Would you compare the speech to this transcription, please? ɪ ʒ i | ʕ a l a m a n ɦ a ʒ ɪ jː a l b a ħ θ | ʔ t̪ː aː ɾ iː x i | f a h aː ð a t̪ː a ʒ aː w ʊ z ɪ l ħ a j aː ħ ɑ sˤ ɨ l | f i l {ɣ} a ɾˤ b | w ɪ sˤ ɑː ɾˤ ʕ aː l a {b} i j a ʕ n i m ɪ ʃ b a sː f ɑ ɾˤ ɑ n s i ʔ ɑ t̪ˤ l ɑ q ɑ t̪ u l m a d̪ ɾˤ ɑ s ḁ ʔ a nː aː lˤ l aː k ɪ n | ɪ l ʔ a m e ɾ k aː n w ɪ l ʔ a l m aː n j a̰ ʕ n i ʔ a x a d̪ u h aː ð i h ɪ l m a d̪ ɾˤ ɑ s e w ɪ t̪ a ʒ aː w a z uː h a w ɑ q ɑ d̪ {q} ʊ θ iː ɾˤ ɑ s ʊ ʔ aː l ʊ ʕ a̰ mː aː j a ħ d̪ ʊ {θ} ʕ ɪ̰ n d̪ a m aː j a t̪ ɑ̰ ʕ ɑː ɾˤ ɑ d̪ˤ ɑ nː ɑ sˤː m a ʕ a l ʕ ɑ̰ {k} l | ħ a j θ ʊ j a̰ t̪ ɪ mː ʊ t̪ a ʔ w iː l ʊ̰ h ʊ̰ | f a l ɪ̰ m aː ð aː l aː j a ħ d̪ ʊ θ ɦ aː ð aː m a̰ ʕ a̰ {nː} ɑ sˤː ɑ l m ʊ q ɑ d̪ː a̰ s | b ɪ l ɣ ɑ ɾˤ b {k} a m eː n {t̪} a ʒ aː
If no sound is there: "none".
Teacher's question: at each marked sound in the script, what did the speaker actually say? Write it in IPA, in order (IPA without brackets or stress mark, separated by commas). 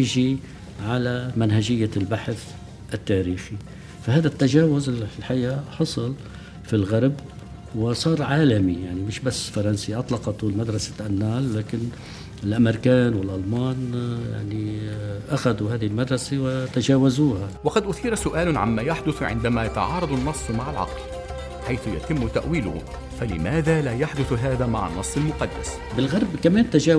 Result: ɣ, m, ʔ, θ, q, nː, k, t̪